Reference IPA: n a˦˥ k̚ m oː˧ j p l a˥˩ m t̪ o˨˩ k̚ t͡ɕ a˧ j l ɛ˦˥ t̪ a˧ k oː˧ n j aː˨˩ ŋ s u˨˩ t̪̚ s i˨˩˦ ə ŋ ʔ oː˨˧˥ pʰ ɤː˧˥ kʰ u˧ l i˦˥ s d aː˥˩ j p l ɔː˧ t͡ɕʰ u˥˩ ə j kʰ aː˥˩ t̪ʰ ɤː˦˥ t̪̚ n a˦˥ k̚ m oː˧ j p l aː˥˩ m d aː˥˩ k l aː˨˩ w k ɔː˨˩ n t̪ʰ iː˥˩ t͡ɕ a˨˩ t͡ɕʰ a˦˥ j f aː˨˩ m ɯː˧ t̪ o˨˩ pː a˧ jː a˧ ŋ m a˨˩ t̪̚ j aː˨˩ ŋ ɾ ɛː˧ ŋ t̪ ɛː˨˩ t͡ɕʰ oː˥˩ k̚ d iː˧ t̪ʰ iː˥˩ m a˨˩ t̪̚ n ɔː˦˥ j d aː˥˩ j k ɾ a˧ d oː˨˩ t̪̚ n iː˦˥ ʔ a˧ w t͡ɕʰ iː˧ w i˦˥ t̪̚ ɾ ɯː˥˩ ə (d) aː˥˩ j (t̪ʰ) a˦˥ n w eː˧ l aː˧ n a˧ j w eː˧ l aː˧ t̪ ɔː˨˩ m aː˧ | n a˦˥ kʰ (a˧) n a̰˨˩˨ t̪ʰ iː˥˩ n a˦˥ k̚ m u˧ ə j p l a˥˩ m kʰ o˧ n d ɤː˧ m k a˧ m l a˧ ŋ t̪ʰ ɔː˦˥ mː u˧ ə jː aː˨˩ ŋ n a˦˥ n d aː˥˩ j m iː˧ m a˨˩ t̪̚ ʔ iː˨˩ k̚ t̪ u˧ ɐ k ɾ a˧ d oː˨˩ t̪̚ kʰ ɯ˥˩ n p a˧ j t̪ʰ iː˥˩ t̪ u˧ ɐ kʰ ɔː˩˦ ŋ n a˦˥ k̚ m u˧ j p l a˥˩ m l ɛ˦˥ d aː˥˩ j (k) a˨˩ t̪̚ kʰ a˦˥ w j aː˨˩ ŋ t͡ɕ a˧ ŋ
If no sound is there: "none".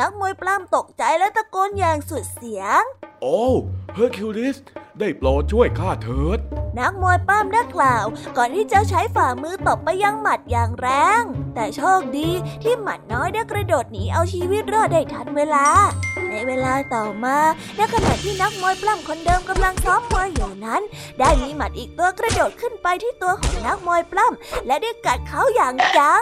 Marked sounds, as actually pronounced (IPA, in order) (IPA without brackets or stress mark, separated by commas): d, t̪ʰ, a˧, k